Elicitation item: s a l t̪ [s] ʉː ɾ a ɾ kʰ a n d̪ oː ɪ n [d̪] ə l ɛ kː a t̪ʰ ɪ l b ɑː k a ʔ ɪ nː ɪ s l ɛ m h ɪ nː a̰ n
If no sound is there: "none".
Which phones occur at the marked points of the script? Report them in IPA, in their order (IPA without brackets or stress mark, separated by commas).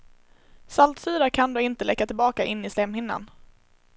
s, t̪